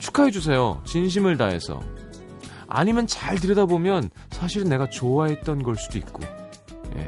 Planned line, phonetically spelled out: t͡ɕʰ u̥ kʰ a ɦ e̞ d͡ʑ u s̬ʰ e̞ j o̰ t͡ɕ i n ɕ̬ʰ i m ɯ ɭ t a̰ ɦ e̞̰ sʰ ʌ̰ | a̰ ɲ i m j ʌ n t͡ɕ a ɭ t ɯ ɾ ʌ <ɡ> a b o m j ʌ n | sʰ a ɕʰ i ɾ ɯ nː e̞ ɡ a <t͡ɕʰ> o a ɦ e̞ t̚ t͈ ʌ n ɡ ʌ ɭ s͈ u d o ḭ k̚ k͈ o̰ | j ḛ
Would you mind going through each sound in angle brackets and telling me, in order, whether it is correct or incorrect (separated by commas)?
incorrect, incorrect